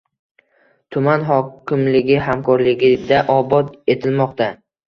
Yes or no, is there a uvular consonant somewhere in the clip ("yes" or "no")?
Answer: yes